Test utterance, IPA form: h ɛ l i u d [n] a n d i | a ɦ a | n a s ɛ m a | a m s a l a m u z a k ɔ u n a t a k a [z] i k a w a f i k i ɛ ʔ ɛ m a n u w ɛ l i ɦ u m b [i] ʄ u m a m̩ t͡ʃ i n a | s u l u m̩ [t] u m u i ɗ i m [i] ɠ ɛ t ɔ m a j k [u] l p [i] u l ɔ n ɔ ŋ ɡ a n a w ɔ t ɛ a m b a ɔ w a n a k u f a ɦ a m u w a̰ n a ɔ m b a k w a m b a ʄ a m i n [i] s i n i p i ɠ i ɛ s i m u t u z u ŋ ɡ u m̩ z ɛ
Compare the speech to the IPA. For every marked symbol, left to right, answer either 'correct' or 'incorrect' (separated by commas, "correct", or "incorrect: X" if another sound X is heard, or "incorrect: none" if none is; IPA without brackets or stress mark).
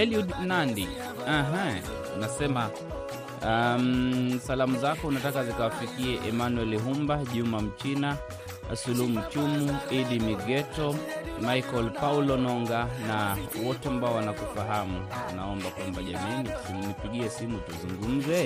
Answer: correct, correct, incorrect: a, incorrect: t͡ʃ, correct, incorrect: ɔ, incorrect: a, correct